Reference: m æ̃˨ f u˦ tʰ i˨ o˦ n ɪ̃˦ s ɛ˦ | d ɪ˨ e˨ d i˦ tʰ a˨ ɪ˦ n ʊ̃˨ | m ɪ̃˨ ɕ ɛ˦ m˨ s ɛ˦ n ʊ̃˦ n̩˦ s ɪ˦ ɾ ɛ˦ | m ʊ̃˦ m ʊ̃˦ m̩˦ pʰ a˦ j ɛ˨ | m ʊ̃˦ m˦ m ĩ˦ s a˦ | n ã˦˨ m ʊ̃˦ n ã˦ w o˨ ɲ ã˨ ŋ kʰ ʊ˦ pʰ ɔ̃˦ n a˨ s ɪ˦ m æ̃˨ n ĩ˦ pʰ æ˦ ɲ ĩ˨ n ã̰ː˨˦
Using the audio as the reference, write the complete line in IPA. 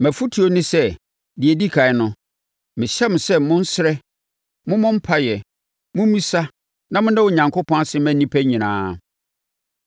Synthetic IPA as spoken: m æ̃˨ f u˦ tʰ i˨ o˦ n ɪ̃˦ s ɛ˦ | d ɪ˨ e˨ d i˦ kʰ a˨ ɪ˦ n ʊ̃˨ | m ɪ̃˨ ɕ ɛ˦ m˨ s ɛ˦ m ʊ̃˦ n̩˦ s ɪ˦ ɾ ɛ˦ | m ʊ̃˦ m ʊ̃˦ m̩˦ pʰ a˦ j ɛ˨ | m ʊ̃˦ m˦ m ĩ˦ s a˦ | n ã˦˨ m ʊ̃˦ n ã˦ w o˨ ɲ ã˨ ŋ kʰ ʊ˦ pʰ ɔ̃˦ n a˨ s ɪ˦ m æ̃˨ n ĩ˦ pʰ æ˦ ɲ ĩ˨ n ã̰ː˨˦